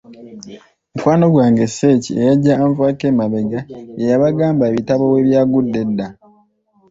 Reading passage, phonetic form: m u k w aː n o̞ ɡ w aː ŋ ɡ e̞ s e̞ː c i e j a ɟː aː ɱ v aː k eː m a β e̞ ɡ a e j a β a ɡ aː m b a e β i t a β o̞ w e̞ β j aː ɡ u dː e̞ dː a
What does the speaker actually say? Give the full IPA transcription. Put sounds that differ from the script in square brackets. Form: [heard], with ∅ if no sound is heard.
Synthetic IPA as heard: m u k w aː n o̞ ɡ w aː ŋ ɡ e̞ s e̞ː c i e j a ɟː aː ɱ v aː k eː m a β e̞ ɡ a e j a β a ɡ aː m b a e β i t a β o̞ w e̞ β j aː ɡ u dː e̞ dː a